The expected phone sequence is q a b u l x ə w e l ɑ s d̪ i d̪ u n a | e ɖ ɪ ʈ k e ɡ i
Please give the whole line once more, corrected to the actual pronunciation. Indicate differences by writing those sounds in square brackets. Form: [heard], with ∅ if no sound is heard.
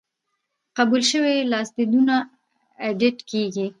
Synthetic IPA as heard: q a b u l [ʃ] ə w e l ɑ s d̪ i d̪ u n a | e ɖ ɪ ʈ k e ɡ i